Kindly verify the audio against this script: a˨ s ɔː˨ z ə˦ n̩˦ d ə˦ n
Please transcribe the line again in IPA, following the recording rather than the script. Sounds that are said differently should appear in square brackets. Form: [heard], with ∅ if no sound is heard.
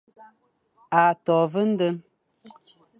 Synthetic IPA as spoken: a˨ [t] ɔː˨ [v] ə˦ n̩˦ d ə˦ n